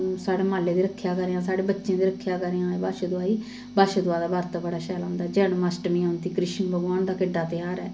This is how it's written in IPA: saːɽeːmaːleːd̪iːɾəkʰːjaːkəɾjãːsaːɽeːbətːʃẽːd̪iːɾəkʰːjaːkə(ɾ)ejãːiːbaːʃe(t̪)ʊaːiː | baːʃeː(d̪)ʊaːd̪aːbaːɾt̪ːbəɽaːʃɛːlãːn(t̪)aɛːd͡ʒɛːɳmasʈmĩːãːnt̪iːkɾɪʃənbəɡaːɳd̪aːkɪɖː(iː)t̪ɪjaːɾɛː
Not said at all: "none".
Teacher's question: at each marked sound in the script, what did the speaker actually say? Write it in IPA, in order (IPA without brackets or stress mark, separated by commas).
ɾ, d̪, d̪, d̪, aː